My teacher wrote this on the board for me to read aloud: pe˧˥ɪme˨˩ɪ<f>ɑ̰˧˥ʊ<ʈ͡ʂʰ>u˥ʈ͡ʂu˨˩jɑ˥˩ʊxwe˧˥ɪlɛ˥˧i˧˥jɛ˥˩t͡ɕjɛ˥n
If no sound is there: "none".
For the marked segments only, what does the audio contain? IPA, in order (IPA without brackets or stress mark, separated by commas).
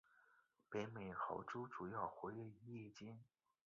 x, ʈ͡ʂ